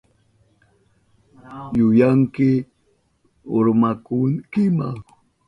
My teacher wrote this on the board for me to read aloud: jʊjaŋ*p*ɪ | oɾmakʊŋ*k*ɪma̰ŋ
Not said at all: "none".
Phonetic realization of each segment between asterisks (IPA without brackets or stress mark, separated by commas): k, k